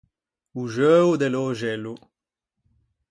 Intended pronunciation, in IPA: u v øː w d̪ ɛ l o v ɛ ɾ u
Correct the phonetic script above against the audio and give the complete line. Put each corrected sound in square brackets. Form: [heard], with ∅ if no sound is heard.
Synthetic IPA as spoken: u [ʒ] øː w d̪ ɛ l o [ʒ] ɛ [l] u